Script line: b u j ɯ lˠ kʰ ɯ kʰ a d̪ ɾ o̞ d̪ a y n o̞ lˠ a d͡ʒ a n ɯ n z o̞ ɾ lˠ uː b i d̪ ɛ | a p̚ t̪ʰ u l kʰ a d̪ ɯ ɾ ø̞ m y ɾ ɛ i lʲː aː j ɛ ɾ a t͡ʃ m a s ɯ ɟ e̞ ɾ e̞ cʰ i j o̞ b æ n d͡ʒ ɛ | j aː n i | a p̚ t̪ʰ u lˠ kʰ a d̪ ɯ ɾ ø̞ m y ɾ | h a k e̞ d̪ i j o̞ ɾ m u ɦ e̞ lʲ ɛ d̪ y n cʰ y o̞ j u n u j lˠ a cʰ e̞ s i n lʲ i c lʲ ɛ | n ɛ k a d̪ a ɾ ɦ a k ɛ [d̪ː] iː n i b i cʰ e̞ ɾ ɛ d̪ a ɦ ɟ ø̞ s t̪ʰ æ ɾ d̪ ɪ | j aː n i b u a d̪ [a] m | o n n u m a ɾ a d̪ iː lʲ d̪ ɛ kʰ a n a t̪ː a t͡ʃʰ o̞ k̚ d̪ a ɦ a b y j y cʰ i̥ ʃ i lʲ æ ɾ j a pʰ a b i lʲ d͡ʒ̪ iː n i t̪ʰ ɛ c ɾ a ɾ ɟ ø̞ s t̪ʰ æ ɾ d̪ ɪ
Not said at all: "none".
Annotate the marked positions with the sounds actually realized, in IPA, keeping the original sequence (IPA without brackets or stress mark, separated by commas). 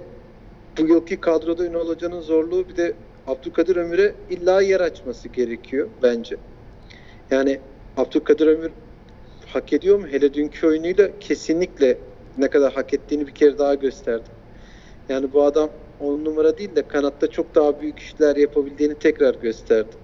t̪ː, a